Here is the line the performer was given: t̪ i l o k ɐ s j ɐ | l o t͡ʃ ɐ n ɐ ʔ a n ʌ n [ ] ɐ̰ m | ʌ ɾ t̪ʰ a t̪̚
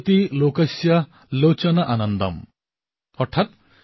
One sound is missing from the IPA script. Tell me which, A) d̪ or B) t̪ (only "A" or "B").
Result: A